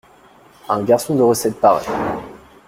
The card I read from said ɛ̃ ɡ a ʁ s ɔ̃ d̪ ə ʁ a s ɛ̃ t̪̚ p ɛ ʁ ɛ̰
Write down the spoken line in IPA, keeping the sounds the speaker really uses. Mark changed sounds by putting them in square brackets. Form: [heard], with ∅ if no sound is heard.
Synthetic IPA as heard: ɛ̃ ɡ a ʁ s ɔ̃ d̪ ə ʁ [ə] s [ɛ] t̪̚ p [a] ʁ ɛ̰